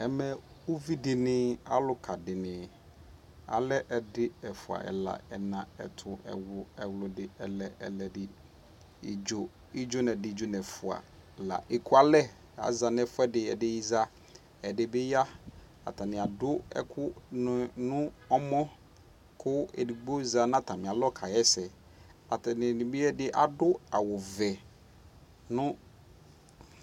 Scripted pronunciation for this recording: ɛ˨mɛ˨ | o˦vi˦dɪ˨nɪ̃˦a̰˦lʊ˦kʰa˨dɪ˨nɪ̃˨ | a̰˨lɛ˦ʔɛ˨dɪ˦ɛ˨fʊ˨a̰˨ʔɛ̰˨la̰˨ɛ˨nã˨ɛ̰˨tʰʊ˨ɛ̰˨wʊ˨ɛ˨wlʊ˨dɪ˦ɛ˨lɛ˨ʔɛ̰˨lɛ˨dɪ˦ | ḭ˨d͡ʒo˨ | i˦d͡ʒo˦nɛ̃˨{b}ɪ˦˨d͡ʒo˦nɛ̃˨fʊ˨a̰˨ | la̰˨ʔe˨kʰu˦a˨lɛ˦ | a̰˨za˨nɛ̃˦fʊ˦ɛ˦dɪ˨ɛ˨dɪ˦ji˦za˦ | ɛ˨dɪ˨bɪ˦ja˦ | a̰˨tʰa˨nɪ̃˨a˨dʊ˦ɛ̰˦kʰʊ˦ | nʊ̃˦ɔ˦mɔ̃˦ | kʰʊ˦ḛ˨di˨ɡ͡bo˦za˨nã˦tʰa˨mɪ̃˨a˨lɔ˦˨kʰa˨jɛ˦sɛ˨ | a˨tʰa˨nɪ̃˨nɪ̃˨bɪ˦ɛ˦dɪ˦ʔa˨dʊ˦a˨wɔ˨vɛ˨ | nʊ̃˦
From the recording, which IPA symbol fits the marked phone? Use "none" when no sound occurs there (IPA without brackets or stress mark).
d